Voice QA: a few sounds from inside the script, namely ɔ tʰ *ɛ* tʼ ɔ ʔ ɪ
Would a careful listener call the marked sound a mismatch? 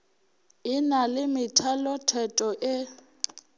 no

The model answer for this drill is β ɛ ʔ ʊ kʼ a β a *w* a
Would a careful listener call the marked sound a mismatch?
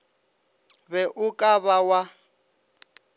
no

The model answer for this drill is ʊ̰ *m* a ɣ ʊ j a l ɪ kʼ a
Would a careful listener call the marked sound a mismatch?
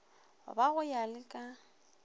yes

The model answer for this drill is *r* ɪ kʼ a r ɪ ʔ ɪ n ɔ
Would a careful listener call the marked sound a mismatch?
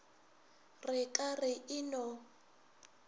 no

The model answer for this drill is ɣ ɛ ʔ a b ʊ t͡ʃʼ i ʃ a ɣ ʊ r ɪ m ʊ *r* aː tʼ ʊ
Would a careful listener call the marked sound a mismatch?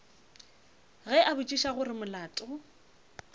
yes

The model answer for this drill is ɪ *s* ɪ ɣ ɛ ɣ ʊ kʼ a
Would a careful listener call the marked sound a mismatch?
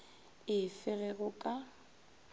yes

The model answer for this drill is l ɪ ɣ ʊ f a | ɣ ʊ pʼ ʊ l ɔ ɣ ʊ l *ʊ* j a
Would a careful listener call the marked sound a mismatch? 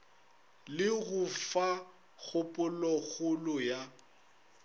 no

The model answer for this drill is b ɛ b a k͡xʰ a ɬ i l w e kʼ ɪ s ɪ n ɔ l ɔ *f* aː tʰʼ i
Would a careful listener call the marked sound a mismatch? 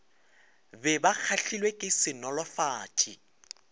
no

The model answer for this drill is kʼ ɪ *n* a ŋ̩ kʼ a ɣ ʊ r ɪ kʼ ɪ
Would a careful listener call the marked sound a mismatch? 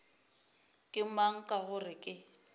yes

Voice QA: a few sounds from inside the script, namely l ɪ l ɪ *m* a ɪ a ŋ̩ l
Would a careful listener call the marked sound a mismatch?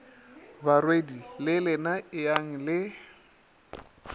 yes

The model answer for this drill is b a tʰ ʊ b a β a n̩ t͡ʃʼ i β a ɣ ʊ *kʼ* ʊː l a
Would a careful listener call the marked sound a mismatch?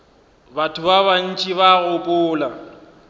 no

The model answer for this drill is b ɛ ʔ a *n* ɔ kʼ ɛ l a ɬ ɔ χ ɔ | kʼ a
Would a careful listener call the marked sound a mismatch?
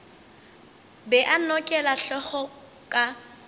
no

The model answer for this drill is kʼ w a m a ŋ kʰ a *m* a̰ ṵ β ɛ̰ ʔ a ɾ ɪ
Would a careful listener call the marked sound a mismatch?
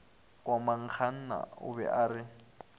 yes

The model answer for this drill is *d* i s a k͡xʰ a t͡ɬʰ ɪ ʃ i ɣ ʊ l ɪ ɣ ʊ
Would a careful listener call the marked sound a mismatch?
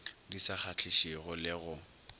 no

